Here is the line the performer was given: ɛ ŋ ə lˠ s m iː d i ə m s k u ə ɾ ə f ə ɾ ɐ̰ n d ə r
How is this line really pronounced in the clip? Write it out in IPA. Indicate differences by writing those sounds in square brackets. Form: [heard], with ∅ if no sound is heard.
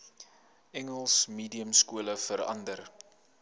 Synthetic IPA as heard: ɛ ŋ ə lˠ s m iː d i ə m s k u ə [l] ə f ə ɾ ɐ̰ n d ə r